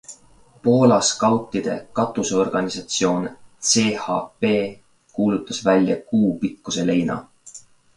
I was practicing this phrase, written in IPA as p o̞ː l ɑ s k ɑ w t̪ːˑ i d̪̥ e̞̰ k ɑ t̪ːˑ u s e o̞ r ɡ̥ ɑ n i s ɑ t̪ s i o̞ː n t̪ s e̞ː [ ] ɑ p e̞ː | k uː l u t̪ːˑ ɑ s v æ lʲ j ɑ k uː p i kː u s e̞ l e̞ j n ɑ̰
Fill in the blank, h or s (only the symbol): h